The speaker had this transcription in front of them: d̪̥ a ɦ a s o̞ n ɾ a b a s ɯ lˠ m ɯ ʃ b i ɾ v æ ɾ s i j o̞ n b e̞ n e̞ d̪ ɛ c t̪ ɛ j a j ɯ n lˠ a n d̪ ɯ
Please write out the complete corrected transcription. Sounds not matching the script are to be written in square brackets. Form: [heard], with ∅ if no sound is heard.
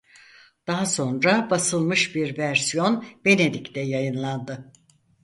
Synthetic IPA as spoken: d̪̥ a ɦ a s o̞ n ɾ a b a s ɯ lˠ m ɯ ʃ b i ɾ v æ ɾ s i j o̞ n b e̞ n e̞ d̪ [i] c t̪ ɛ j a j ɯ n lˠ a n d̪ ɯ